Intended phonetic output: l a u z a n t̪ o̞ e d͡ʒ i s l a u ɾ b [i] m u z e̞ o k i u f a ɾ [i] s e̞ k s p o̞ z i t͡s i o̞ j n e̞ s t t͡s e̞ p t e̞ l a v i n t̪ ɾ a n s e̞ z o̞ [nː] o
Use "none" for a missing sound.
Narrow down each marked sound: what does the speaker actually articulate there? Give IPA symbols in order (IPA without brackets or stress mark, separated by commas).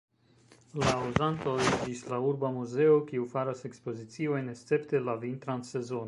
a, a, n